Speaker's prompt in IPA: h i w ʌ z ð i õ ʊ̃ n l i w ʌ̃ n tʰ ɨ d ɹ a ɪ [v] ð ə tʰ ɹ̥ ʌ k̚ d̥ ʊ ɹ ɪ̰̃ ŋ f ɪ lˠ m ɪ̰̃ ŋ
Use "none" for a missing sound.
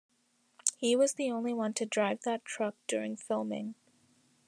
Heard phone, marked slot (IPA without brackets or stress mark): v